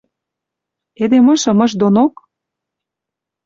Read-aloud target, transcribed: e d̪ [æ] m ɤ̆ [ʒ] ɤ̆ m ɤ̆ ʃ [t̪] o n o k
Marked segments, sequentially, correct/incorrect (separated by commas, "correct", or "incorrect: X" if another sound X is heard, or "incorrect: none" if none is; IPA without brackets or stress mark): incorrect: e, incorrect: ʃ, incorrect: d̪